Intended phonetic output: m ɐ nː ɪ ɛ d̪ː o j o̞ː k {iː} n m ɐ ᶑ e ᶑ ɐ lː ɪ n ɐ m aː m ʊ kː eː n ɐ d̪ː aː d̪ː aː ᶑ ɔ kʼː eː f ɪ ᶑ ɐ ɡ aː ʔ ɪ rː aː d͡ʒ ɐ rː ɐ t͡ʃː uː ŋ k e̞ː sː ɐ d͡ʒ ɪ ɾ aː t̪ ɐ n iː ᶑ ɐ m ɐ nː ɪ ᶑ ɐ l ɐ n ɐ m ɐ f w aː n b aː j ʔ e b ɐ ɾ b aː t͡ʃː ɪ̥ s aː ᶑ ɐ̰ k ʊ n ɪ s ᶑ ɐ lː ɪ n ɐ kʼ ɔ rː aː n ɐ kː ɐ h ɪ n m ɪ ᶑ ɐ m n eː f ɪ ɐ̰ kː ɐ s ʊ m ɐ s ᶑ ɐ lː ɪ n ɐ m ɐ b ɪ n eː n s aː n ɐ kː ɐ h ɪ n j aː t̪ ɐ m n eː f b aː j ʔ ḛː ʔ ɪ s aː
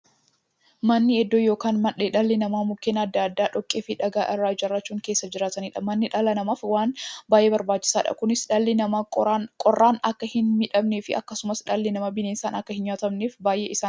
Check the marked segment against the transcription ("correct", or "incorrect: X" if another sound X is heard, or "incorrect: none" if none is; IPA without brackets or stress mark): incorrect: aː